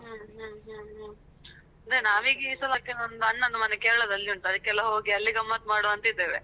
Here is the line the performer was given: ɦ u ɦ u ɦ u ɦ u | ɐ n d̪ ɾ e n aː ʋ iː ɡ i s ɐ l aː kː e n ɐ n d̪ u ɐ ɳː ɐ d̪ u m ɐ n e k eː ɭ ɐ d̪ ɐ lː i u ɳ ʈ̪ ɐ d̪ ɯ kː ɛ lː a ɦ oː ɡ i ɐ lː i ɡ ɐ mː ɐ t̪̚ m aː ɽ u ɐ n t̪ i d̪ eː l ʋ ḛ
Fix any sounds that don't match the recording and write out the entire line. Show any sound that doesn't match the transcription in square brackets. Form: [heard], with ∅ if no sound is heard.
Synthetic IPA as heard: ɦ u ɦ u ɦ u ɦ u | ɐ n d̪ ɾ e n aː ʋ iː ɡ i s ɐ l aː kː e n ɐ n d̪ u ɐ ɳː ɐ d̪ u m ɐ n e k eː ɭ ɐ d̪ ɐ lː i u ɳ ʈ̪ ɐ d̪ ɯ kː ɛ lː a ɦ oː ɡ i ɐ lː i ɡ ɐ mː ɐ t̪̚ m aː ɽ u ɐ n t̪ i d̪ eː [∅] ʋ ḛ